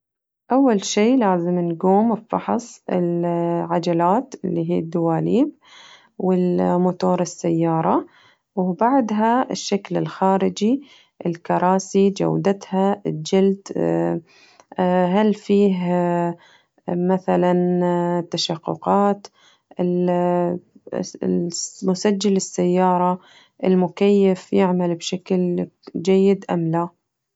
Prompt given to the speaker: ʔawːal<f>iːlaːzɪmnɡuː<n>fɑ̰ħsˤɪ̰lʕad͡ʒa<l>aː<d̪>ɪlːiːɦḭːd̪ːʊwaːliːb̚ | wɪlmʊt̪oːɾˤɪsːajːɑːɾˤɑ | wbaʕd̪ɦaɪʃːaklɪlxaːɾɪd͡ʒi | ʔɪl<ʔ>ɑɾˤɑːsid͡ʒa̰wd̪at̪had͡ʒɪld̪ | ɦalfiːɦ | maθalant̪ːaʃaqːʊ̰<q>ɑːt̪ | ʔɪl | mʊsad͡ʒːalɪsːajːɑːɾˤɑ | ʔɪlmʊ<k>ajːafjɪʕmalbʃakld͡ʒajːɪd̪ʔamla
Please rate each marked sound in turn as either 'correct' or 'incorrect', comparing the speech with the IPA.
incorrect: ʃ, incorrect: m, correct, incorrect: t̪, incorrect: k, correct, correct

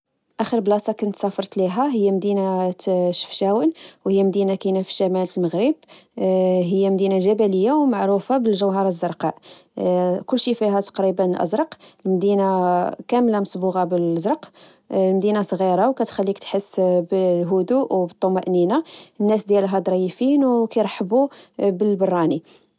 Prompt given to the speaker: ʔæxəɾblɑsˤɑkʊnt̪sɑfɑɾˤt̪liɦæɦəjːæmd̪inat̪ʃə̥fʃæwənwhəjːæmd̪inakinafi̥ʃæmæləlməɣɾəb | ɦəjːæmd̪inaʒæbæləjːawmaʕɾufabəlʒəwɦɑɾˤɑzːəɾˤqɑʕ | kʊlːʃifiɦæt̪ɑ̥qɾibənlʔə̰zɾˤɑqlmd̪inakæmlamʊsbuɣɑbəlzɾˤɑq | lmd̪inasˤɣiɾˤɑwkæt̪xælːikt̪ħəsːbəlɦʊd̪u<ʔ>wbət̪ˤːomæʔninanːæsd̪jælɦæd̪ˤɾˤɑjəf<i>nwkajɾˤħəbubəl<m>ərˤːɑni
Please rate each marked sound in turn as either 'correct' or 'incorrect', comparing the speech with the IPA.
correct, correct, incorrect: b

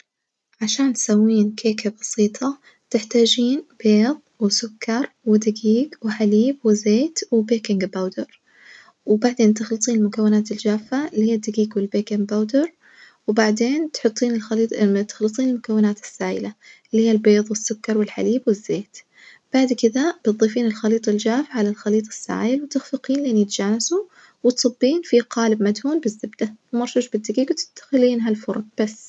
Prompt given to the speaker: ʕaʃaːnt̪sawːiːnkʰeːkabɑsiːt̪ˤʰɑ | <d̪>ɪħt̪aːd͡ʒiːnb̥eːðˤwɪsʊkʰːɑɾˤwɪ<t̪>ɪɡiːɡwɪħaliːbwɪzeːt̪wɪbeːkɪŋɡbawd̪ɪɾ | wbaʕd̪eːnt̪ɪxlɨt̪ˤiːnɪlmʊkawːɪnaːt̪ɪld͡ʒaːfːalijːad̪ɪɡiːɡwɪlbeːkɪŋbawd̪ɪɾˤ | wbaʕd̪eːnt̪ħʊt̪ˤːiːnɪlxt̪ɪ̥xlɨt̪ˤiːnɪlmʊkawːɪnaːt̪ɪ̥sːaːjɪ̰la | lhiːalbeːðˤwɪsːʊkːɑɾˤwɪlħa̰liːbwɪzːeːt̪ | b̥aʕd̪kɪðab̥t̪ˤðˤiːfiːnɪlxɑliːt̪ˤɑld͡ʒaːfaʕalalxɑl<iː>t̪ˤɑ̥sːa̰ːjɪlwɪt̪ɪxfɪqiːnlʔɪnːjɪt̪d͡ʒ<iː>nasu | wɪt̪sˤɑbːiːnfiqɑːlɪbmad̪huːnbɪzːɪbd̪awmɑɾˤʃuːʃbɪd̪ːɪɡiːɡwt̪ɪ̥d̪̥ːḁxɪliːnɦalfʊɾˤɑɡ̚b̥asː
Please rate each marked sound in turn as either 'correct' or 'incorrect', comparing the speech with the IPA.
incorrect: t̪, incorrect: d̪, correct, incorrect: aː

